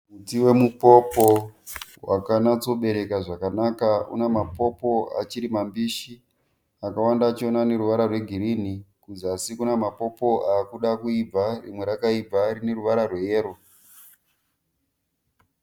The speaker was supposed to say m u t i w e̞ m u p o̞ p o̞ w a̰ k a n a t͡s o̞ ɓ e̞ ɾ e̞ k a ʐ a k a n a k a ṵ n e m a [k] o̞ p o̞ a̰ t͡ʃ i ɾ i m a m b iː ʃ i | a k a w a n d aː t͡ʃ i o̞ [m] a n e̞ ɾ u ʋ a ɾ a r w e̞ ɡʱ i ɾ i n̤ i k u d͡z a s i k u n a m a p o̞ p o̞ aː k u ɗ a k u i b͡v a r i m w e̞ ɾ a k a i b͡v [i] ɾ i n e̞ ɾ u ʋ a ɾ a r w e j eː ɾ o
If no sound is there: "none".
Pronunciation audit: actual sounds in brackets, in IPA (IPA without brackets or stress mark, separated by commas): p, n, a